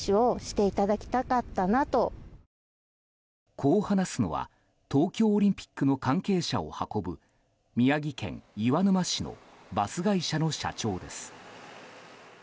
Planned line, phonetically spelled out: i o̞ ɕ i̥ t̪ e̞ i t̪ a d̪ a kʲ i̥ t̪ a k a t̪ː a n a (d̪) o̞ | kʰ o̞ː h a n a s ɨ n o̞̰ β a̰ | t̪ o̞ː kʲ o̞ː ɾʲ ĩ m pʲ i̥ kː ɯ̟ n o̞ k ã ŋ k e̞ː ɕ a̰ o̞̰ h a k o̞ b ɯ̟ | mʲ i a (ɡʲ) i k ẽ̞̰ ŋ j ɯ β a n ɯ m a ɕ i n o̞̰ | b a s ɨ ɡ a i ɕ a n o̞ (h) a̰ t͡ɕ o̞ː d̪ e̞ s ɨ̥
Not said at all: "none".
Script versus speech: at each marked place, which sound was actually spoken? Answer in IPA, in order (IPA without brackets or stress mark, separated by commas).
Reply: t̪, ɡʲ, ɕ